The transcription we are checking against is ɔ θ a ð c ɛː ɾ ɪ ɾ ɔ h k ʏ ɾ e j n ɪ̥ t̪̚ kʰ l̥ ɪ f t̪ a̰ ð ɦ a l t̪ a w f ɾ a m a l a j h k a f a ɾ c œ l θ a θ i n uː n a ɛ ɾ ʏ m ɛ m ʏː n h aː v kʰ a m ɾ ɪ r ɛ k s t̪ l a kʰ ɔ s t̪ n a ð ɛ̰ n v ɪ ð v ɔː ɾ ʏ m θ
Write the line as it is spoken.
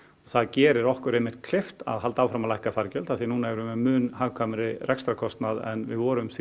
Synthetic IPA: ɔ θ a ð c ɛː ɾ ɪ ɾ ɔ h k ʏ ɾ e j m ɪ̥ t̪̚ kʰ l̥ ɪ f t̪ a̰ ð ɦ a l t̪ a w f ɾ a m a l a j h k a f a ɾ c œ l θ a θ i n uː n a ɛ ɾ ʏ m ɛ m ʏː n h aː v kʰ a m ɾ ɪ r ɛ k s t̪ ɾ a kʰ ɔ s t̪ n a ð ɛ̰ n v ɪ ð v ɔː ɾ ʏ m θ